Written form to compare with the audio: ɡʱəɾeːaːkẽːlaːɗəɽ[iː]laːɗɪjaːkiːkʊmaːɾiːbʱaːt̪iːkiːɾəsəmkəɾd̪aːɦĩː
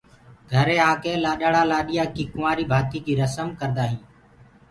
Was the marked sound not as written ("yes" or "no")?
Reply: yes